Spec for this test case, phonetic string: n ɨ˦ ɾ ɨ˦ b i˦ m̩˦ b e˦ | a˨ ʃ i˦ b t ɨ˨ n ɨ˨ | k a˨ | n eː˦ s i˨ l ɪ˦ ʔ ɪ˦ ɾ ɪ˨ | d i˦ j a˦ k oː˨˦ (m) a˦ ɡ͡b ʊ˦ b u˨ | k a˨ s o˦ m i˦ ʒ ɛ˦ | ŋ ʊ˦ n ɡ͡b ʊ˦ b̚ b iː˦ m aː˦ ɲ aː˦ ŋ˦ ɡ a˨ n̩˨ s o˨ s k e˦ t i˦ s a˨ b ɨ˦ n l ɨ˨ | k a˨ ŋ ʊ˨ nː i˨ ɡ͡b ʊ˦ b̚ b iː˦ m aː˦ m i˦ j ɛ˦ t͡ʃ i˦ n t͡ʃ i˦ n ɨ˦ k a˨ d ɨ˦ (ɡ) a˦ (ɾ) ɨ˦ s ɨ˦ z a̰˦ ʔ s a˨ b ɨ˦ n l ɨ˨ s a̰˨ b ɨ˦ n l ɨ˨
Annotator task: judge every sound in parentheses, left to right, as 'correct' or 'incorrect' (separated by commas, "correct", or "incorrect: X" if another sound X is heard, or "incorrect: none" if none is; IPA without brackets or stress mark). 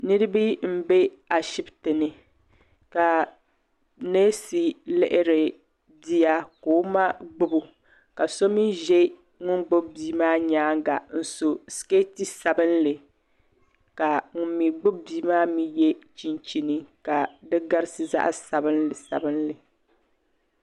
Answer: correct, correct, correct